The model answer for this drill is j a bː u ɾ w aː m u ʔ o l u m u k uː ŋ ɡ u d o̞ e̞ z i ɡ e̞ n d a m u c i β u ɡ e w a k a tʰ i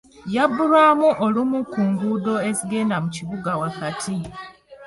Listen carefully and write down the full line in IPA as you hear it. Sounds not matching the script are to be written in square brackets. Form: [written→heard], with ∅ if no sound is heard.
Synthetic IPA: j a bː u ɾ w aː m u ʔ o l u m u k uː ŋ ɡ u d o̞ e̞ z i ɡ e̞ n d a m u c i β u ɡ [e→a] w a k a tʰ i